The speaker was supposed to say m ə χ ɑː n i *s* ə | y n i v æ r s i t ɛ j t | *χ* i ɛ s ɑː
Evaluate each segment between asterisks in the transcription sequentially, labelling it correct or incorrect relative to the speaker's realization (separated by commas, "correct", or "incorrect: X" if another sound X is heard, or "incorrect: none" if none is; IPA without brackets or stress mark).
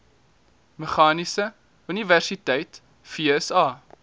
correct, incorrect: f